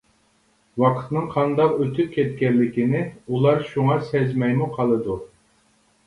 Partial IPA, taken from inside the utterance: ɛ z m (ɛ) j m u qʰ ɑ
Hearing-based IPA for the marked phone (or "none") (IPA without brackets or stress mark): ɛ